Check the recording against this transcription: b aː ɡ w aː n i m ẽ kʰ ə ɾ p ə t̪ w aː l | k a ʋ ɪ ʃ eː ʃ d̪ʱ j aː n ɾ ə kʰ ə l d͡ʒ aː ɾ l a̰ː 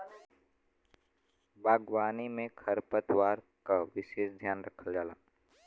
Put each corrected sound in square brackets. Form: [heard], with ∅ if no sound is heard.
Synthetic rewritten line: b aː ɡ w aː n i m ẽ kʰ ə ɾ p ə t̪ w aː [ɾ] | k a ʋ ɪ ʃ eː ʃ d̪ʱ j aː n ɾ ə kʰ ə l d͡ʒ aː [∅] l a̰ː